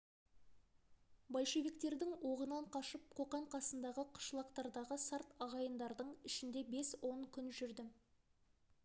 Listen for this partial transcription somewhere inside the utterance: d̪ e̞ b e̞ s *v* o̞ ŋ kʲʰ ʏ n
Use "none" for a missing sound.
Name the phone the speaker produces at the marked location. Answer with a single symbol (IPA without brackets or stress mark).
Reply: w